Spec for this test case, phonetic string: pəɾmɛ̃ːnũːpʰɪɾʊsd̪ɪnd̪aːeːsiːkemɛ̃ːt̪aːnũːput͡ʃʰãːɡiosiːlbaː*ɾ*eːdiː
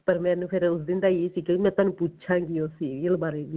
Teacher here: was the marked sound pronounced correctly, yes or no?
yes